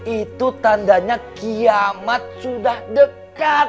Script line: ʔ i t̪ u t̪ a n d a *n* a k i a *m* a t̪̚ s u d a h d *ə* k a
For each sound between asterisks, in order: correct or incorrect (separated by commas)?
incorrect, correct, correct